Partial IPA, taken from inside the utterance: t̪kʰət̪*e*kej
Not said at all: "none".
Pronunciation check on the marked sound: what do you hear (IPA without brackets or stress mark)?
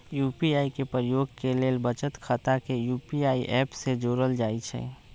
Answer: a